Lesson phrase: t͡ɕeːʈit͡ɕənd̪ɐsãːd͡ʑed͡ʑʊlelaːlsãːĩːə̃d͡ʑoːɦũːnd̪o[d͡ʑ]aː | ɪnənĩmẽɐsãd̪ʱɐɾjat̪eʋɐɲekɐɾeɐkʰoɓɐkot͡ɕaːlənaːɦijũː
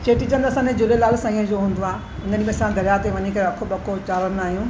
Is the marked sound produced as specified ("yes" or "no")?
no